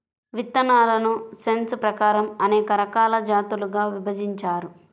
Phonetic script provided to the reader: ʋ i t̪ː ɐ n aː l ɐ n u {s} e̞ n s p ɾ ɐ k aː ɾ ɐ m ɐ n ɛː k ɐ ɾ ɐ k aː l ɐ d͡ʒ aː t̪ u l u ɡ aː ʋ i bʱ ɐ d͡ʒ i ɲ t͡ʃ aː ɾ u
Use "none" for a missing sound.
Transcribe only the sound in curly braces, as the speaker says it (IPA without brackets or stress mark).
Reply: s